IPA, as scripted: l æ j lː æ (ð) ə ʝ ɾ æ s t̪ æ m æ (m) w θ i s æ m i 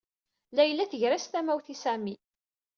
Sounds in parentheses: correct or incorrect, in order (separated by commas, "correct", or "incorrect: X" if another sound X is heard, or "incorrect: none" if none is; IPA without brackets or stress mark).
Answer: incorrect: θ, incorrect: none